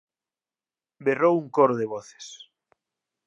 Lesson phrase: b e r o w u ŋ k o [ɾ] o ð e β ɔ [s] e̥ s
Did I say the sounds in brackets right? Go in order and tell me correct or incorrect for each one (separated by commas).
correct, incorrect